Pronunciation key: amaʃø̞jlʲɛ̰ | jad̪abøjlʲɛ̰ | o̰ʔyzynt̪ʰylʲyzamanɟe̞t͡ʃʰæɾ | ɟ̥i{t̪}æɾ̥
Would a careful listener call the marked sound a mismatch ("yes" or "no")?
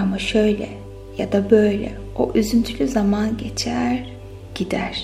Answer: yes